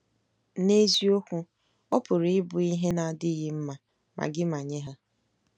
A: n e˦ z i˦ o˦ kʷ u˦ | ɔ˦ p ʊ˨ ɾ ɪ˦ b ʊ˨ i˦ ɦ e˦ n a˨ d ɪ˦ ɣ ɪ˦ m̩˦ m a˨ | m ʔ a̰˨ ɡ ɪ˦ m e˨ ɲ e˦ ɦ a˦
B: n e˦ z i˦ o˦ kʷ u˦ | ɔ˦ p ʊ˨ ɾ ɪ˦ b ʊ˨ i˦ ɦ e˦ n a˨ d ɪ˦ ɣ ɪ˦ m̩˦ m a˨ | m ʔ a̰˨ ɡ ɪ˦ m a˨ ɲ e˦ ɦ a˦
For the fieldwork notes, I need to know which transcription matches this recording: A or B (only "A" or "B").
B